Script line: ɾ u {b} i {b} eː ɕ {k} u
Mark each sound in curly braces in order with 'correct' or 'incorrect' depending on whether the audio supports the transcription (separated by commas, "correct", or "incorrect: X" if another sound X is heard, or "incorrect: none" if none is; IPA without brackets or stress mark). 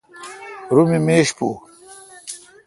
incorrect: m, incorrect: m, incorrect: p